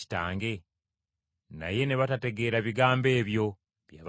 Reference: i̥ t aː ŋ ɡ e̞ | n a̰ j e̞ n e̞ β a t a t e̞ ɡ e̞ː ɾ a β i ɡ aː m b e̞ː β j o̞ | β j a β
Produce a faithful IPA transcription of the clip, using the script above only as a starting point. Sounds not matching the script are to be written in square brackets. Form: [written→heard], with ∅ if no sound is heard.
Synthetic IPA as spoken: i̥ t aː ŋ ɡ e̞ | n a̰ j e̞ n e̞ β a t a t e̞ ɡ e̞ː ɾ a β i ɡ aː m b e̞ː β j o̞ | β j a β

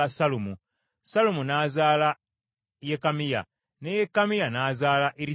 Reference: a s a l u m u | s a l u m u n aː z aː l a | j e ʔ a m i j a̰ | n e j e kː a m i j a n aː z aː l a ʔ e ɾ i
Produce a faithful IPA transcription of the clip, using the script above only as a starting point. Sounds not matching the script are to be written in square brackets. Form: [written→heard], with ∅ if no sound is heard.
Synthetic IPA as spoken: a s a l u m u | s a l u m u n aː z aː l a | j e [ʔ→k] a m i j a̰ | n e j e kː a m i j a n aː z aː l a ʔ e ɾ i

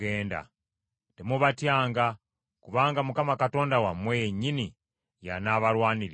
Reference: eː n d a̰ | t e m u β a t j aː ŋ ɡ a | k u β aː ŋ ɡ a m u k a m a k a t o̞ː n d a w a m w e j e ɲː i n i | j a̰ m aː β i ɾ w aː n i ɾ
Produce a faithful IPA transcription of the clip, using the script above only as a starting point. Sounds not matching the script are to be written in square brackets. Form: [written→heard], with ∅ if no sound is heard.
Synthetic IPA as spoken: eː n d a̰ | t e m u β a t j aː ŋ ɡ a | k u β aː ŋ ɡ a m u k a m a k a t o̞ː n d a w a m w e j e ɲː i n i | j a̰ [m→n] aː β [i→a] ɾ w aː n i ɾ

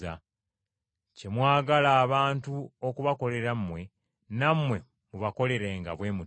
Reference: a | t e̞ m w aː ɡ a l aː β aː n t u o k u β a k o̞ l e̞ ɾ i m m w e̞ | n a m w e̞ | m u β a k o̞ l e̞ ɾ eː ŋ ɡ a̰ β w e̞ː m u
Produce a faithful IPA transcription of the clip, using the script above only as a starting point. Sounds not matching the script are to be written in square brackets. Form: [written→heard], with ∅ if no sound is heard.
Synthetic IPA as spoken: a | [t→c] e̞ m w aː ɡ a l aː β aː n t u o k u β a k o̞ l e̞ ɾ [i→a] m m w e̞ | n a m w e̞ | m u β a k o̞ l e̞ ɾ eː ŋ ɡ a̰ β w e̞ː m u

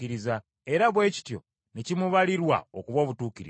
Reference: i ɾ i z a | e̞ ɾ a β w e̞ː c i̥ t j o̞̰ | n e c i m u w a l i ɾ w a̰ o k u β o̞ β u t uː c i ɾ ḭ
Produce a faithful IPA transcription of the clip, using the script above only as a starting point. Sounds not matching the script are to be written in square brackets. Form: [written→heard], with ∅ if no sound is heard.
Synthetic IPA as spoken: i ɾ i z a | e̞ ɾ a β w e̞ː c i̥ t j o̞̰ | n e c i m u [w→β] a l i ɾ w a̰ o k u β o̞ β u t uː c i ɾ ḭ

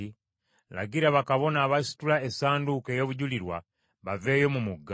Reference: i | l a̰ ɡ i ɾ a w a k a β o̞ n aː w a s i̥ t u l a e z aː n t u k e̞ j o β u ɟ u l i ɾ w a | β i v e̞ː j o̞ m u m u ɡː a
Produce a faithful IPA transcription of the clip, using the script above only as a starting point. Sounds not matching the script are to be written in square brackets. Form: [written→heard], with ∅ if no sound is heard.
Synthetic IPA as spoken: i | l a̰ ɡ i ɾ a [w→β] a k a β o̞ n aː [w→β] a s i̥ t u l a e [z→s] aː n [t→d] u k e̞ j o β u ɟ u l i ɾ w a | β [i→a] v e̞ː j o̞ m u m u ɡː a

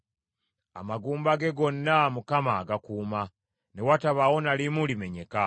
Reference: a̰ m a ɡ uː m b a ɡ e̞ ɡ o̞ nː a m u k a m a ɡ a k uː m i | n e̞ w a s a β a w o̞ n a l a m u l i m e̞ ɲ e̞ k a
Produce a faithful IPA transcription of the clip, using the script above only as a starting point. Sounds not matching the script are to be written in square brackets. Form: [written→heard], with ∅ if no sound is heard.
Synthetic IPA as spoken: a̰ m a ɡ uː m b a ɡ e̞ ɡ o̞ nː a m u k a m a ɡ a k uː m [i→a] | n e̞ w a [s→t] a β a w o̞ n a l [a→i] m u l i m e̞ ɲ e̞ k a

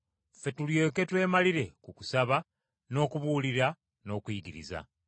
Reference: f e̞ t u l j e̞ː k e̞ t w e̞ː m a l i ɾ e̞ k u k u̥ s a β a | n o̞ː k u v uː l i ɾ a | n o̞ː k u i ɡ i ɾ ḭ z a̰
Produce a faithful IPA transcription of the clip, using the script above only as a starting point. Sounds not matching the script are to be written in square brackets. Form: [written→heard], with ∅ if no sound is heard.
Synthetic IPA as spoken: f e̞ t u l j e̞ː k e̞ t w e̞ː m a l i ɾ e̞ k u k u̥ s a β a | n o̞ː k u [v→β] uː l i ɾ a | n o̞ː k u i ɡ i ɾ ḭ z a̰

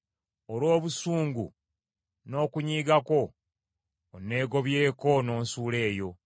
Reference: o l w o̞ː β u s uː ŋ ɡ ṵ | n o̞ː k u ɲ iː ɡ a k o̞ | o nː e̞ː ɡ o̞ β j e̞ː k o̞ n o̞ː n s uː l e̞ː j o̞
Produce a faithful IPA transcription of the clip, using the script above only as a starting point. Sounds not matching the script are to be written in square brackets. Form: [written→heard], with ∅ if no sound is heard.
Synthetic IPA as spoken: o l w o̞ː β u s uː ŋ ɡ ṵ | n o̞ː k u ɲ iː ɡ a k o̞ | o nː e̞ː ɡ o̞ β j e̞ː k o̞ n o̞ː n s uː l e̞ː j o̞

